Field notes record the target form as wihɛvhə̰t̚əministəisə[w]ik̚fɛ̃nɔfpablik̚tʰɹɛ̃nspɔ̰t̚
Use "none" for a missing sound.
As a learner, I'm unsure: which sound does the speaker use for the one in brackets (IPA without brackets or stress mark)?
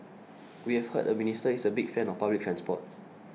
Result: b